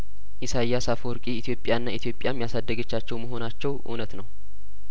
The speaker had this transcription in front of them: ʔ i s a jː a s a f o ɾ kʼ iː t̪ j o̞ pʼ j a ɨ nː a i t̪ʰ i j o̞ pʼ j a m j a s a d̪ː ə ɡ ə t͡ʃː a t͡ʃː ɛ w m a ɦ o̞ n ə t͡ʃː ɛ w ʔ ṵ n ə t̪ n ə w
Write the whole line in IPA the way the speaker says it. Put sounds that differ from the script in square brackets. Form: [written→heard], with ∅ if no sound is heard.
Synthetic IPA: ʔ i s a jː a s a f o ɾ kʼ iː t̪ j o̞ pʼ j a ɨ nː a i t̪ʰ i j o̞ pʼ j a m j a s a d̪ː ə ɡ ə t͡ʃː a t͡ʃː ɛ w m [a→ə] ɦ o̞ n [ə→a] t͡ʃː ɛ w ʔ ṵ n ə t̪ n ə w